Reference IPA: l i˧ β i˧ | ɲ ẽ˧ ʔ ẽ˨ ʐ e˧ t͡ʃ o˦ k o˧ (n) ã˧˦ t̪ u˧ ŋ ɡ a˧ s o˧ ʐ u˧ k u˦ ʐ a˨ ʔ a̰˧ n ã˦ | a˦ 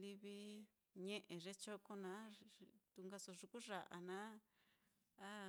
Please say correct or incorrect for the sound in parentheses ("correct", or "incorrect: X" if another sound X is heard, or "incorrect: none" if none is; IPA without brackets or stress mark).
correct